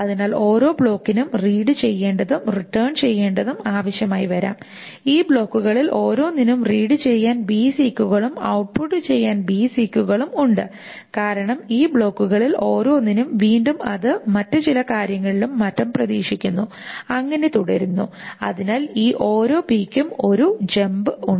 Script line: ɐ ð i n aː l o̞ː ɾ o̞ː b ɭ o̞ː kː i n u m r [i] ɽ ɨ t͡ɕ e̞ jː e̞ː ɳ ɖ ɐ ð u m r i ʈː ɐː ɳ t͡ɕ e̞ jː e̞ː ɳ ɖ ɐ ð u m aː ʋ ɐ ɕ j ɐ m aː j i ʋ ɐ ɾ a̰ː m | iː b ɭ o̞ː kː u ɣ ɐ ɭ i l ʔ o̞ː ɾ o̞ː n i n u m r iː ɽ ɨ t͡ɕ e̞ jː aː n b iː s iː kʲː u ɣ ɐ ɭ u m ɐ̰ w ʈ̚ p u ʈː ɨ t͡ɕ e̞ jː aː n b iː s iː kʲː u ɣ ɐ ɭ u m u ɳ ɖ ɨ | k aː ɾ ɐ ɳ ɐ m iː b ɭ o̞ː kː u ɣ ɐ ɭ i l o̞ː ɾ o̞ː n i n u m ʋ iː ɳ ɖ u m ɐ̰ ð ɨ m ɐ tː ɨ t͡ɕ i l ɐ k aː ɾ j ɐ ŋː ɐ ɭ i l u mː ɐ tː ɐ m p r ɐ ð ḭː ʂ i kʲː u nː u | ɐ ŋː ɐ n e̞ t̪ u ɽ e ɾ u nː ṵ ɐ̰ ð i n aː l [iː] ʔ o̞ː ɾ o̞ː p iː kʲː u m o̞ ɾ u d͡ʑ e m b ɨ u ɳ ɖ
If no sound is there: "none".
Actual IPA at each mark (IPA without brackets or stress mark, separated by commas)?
iː, iː